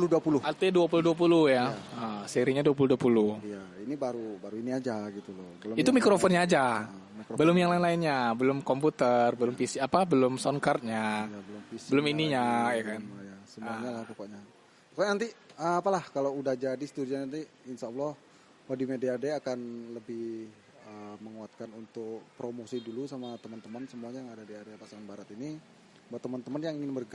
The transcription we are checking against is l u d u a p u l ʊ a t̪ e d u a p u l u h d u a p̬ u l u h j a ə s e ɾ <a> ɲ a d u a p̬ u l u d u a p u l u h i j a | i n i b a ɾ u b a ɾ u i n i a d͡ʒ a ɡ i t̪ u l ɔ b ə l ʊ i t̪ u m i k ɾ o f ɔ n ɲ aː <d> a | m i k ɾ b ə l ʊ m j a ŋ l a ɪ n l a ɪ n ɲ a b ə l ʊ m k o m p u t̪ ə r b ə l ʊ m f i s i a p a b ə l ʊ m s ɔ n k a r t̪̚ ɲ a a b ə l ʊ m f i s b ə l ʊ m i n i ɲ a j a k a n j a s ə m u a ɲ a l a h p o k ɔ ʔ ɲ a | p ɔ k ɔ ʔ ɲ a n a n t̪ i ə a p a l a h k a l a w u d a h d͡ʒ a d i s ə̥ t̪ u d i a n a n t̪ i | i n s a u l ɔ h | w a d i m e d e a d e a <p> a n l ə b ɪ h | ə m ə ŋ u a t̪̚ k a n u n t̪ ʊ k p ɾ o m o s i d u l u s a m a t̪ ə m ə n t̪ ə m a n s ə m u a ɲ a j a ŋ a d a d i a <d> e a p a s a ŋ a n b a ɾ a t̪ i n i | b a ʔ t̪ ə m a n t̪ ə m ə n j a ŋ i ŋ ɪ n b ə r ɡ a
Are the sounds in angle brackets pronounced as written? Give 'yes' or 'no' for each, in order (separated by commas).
no, no, no, yes